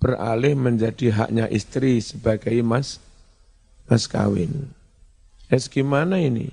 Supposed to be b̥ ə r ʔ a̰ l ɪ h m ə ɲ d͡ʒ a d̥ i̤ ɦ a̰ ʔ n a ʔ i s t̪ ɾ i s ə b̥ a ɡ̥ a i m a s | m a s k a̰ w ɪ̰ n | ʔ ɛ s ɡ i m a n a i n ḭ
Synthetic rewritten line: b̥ ə r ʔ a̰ l ɪ h m ə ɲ d͡ʒ a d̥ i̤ ɦ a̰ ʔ ɲ a ʔ i s t̪ ɾ i s ə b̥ a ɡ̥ a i m a s | m a s k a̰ w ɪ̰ n | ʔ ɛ s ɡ i m a n a i n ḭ